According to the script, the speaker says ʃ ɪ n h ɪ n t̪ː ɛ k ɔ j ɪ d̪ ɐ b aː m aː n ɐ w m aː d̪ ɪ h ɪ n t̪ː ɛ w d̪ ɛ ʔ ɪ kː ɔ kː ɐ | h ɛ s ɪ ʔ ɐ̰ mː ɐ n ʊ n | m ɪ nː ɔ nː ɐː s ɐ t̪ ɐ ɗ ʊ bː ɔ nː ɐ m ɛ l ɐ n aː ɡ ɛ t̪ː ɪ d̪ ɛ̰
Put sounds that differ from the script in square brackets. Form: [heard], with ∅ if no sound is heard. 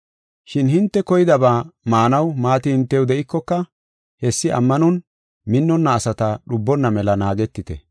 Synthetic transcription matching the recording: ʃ ɪ n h ɪ n t̪ː ɛ k ɔ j ɪ d̪ ɐ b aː m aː n ɐ w m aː [t̪] ɪ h ɪ n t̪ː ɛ w d̪ ɛ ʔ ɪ kː ɔ kː ɐ | h ɛ [sː] ɪ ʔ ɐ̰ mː ɐ n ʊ n | m ɪ nː ɔ nː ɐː s ɐ t̪ ɐ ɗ ʊ bː ɔ nː ɐ m ɛ l ɐ n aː ɡ ɛ t̪ː ɪ [t̪] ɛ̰